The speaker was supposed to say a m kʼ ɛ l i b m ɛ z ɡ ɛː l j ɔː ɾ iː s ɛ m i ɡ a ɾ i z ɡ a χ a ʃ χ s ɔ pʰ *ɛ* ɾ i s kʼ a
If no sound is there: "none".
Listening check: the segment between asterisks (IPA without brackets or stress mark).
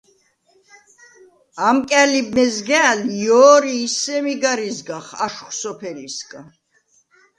ɛ